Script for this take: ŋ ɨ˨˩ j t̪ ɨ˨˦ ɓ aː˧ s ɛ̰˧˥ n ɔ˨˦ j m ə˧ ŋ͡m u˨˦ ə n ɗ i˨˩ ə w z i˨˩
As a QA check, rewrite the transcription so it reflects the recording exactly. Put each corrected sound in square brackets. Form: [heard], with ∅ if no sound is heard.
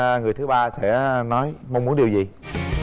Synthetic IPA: ŋ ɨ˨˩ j t̪ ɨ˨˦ ɓ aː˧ s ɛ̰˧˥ n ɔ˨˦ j m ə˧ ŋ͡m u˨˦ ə n ɗ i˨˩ ə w z i˨˩